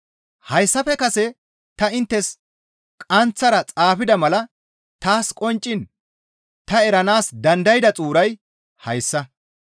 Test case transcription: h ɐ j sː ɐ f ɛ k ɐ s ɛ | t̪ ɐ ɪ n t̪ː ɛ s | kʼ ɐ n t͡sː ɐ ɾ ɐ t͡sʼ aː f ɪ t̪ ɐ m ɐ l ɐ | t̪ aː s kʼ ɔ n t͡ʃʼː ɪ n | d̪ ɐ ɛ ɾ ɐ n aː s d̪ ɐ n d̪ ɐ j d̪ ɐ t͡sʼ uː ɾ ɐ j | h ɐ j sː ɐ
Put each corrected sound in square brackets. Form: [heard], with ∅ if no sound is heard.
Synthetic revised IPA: h ɐ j sː ɐ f ɛ k ɐ s ɛ | t̪ ɐ ɪ n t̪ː ɛ s | kʼ ɐ n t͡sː ɐ ɾ ɐ t͡sʼ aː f ɪ [d̪] ɐ m ɐ l ɐ | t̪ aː s kʼ ɔ n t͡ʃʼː ɪ n | [t̪] ɐ ɛ ɾ ɐ n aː s d̪ ɐ n d̪ ɐ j d̪ ɐ t͡sʼ uː ɾ ɐ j | h ɐ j sː ɐ